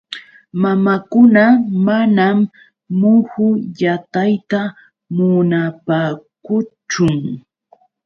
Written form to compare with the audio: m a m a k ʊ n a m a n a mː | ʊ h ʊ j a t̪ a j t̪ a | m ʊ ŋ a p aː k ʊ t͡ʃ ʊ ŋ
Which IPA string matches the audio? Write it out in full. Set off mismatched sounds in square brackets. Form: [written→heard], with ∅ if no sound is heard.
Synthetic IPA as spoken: m a m a k ʊ n a m a n a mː | ʊ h ʊ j a t̪ a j t̪ a | m ʊ [ŋ→n] a p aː k ʊ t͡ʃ ʊ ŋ